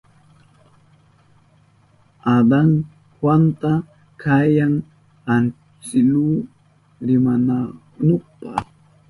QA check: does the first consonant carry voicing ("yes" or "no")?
yes